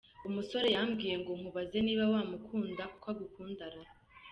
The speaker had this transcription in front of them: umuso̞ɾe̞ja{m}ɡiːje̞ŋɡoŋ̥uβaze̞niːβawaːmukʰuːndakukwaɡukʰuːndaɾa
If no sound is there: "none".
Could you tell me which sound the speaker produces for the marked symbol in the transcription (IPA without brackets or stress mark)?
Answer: m